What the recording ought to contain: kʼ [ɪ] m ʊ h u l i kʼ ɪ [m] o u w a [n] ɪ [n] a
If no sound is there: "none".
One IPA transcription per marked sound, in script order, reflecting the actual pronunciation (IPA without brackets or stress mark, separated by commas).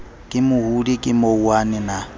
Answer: ɪ, m, n, n